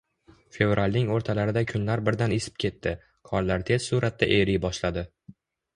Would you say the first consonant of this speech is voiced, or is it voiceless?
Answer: voiceless